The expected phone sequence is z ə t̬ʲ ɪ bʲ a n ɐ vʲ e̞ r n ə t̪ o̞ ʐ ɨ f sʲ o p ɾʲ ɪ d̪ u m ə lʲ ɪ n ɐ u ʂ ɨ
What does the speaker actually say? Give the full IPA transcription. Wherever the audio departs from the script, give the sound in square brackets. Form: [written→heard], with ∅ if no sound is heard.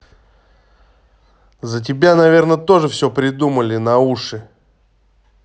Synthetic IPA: z ə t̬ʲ ɪ bʲ a n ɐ vʲ e̞ r n ə t̪ o̞ ʐ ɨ f sʲ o p ɾʲ ɪ d̪ u m ə lʲ ɪ n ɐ u ʂ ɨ